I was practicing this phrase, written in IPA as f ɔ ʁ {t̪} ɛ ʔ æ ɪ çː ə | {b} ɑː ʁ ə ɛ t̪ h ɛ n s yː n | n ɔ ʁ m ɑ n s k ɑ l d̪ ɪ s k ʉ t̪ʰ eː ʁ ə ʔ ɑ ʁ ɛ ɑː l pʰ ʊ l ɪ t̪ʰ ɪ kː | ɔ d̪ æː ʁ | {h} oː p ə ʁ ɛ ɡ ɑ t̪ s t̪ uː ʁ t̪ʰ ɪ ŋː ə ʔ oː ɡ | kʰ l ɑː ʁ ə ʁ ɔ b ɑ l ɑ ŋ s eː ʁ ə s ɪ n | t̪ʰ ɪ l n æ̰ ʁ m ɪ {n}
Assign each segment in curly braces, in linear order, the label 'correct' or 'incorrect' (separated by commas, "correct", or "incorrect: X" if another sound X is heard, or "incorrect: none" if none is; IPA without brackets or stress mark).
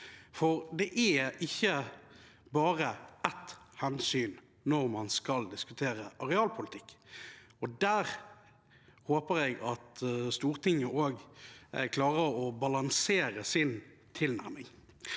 incorrect: d̪, correct, correct, incorrect: ŋ